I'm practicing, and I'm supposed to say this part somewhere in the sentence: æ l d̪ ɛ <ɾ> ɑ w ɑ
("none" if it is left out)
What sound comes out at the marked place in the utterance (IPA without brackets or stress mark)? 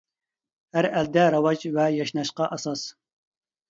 ɾ